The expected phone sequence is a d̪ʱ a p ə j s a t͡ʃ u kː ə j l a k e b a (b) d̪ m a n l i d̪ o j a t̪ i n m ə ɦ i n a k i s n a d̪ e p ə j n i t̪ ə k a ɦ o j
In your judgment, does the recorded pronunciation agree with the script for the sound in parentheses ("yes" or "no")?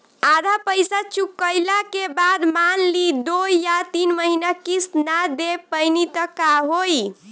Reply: no